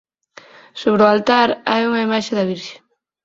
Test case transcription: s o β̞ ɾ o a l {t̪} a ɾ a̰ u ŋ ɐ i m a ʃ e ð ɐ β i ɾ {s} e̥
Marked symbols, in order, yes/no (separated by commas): yes, no